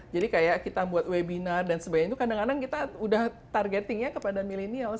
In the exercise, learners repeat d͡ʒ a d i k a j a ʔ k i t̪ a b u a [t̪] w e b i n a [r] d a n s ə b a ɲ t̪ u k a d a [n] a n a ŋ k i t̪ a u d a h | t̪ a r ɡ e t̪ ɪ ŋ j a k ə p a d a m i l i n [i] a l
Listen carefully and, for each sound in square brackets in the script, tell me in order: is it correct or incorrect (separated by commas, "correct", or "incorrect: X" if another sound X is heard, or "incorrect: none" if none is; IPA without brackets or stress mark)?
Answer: correct, correct, incorrect: ŋ, correct